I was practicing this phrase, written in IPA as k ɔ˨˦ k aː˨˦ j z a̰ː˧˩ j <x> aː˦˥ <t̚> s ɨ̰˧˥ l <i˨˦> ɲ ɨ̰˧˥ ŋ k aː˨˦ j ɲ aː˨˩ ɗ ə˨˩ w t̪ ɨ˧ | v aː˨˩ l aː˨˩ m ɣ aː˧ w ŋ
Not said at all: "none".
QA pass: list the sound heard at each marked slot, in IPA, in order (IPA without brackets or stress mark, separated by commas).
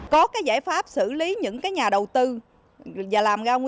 f, p̚, i˨˦